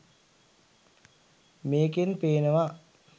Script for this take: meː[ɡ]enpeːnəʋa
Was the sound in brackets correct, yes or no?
no